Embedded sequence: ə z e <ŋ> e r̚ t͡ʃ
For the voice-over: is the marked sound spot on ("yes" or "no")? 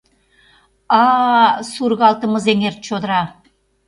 yes